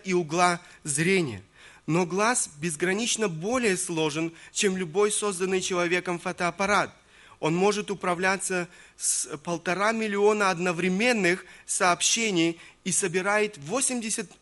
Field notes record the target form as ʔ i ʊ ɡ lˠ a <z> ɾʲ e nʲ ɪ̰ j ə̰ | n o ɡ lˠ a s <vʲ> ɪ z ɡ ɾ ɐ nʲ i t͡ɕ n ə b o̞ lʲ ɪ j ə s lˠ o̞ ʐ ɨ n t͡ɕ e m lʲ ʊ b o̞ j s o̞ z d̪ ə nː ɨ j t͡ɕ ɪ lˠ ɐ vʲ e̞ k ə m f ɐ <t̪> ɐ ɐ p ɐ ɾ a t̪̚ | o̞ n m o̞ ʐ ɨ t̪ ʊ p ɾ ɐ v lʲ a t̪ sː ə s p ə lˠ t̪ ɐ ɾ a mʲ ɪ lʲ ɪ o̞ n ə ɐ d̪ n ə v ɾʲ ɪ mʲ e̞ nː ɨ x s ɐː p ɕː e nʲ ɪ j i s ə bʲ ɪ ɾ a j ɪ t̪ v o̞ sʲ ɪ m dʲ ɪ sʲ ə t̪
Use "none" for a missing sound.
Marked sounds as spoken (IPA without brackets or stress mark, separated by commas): z, bʲ, t̪